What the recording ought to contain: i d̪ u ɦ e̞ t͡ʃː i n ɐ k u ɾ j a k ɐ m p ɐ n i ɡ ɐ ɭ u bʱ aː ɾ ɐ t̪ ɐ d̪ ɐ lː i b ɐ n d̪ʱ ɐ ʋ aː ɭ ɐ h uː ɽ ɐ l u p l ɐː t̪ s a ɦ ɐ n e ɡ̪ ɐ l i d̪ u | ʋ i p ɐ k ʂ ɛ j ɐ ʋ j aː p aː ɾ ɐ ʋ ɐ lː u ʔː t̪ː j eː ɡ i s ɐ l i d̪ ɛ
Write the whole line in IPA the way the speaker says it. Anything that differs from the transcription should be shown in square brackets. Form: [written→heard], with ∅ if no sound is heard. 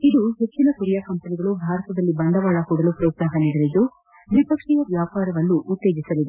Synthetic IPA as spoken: i d̪ u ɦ e̞ t͡ʃː i n ɐ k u ɾ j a k ɐ m p ɐ n i ɡ ɐ ɭ u bʱ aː ɾ ɐ t̪ ɐ d̪ ɐ lː i b ɐ n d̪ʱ ɐ ʋ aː ɭ ɐ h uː ɽ ɐ l u p [l→ɾ] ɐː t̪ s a ɦ ɐ n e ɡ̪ ɐ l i d̪ u | ʋ i p ɐ k ʂ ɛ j ɐ ʋ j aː p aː ɾ ɐ ʋ ɐ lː u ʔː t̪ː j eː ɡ i s ɐ l i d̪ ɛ

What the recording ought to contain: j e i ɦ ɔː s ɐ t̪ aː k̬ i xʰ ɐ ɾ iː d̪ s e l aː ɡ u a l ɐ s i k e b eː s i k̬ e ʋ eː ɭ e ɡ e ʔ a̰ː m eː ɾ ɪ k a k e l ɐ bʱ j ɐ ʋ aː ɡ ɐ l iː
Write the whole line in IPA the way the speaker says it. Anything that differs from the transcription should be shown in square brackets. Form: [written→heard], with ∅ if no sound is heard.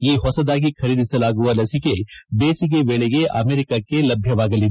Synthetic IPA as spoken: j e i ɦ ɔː s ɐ [t̪→d̪] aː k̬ i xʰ ɐ ɾ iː d̪ s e l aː ɡ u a l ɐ s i k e b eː s i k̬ e ʋ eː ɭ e ɡ e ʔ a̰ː m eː ɾ ɪ k a k e l ɐ bʱ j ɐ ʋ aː ɡ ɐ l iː

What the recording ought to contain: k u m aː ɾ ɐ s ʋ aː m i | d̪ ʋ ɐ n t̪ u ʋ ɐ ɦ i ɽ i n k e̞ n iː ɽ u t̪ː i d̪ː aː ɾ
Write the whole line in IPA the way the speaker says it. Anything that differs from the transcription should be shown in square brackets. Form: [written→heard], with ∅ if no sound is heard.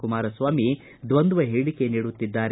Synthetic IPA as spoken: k u m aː ɾ ɐ s ʋ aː m i | d̪ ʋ ɐ n [t̪→d̪] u ʋ ɐ ɦ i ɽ i [n→∅] k e̞ n iː ɽ u t̪ː i d̪ː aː ɾ

